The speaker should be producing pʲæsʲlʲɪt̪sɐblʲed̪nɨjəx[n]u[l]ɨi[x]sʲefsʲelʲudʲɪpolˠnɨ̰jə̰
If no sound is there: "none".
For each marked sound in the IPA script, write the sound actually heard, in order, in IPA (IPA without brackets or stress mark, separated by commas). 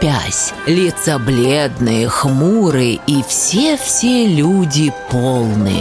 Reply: m, ɾ, f